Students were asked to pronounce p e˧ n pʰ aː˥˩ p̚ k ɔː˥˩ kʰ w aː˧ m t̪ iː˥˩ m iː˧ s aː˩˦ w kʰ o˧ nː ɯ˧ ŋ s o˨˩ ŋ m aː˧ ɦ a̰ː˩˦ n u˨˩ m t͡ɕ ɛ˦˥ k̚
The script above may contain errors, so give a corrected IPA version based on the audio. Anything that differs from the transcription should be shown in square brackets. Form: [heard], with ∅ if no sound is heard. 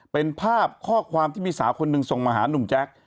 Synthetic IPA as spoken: p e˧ n pʰ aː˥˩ p̚ [kʰ] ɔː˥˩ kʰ w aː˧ m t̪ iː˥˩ m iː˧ s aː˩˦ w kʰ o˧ nː ɯ˧ ŋ s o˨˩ ŋ m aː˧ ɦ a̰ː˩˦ n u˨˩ m t͡ɕ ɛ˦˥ k̚